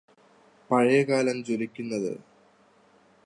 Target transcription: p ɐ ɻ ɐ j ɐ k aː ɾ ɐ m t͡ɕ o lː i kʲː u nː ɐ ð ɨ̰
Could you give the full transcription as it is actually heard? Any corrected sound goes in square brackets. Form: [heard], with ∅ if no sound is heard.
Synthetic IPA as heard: p ɐ ɻ ɐ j ɐ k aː [l] ɐ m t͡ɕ o [l] i kʲː u nː ɐ ð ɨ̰